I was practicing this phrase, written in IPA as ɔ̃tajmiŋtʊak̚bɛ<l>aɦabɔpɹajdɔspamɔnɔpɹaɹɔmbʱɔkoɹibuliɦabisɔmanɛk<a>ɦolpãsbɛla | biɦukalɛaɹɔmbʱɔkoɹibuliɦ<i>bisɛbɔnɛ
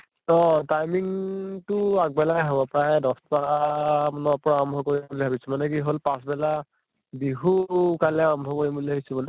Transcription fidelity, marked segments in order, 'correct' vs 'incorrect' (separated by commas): correct, incorrect, incorrect